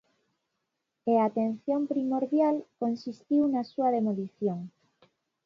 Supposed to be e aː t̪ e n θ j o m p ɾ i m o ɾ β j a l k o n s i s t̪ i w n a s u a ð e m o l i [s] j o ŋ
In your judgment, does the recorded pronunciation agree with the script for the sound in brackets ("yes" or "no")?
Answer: no